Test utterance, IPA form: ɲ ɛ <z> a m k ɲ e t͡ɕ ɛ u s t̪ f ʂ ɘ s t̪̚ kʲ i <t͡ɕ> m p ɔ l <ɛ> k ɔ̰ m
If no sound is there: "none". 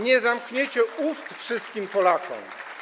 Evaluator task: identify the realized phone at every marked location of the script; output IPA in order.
z, none, a

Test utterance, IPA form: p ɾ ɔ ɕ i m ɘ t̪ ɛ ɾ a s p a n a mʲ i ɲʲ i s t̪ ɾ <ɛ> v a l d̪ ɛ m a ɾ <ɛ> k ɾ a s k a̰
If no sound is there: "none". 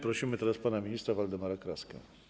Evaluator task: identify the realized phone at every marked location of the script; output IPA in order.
a, a

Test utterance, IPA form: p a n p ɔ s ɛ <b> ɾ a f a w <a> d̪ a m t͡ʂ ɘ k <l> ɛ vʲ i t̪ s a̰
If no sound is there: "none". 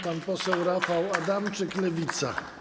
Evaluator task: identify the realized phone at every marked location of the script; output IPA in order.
w, a, l

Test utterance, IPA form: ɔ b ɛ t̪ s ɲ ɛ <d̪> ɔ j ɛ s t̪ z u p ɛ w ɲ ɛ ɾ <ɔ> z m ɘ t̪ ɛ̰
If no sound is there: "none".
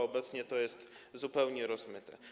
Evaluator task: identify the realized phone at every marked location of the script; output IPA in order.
t̪, ɔ

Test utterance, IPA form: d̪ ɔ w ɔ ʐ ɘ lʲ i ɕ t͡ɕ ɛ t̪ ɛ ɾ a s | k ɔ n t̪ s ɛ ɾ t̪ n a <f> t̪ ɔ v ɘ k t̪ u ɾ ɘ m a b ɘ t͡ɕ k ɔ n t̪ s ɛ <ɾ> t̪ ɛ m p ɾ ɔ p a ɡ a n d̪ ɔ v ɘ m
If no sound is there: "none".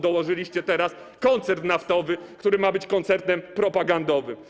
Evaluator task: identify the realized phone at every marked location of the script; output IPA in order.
f, ɾ

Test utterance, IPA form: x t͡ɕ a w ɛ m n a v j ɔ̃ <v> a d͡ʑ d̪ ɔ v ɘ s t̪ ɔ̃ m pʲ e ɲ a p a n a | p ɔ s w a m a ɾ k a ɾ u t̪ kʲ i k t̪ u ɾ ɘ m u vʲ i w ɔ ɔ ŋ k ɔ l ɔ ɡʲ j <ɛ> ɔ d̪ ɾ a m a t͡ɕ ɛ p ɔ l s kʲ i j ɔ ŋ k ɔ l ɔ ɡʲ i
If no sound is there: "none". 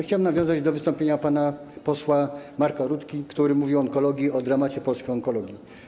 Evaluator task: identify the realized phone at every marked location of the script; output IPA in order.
z, i

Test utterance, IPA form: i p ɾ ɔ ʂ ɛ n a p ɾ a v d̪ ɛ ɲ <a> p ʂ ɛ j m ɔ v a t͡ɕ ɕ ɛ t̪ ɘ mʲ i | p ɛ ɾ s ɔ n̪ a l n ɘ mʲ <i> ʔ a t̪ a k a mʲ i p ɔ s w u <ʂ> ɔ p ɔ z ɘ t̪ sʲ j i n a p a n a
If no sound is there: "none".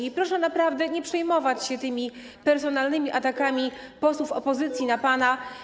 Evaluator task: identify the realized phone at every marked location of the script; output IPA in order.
ɛ, i, f

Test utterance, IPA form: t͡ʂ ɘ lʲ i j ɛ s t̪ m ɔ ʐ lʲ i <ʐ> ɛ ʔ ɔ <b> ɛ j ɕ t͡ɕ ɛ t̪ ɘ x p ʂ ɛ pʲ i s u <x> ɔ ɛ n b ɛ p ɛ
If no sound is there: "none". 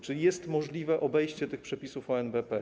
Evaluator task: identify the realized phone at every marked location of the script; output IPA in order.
v, b, f

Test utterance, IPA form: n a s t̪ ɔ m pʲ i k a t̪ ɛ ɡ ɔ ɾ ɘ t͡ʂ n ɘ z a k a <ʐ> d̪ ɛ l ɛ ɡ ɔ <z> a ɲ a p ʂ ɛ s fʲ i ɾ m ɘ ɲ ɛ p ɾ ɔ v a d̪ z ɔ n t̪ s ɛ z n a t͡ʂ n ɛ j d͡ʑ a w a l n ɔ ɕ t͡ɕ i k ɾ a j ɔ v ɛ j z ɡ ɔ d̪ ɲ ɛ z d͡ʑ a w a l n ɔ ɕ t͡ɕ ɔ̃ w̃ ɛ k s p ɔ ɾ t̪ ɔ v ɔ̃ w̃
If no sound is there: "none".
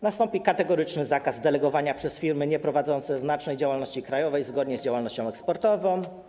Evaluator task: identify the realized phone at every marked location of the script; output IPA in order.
z, v

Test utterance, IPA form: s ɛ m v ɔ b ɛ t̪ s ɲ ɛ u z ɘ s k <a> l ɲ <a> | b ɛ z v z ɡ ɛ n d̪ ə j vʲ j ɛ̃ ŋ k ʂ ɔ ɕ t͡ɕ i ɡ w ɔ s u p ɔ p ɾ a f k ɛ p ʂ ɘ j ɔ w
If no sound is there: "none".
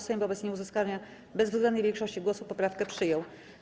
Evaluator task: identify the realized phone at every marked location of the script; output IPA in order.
a, a

